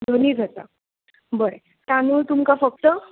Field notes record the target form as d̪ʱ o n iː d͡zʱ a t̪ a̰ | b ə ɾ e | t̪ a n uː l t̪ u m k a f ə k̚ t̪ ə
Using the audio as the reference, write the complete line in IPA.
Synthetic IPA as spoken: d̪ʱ o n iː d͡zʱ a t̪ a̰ | b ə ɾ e | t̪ a n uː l t̪ u m k a f ə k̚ t̪ ə